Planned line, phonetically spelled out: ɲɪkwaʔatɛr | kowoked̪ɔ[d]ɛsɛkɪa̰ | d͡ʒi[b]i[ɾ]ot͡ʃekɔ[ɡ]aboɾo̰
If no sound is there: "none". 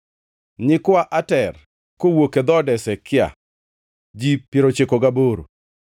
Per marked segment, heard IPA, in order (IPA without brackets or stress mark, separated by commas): d, p, ɾ, ɡ